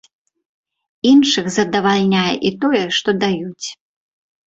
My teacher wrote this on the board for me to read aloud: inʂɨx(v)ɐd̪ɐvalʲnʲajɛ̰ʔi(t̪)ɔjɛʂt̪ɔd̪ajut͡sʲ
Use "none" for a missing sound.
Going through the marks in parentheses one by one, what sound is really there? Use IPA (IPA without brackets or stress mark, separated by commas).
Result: z, t̪